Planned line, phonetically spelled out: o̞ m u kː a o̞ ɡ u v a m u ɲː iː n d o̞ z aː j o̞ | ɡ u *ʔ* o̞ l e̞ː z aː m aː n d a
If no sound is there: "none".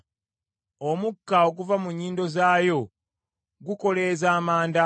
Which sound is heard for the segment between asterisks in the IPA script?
k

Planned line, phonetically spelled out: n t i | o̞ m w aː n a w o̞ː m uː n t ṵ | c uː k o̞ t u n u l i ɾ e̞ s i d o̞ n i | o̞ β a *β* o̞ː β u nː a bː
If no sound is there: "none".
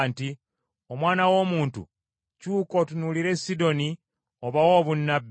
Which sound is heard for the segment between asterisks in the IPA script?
w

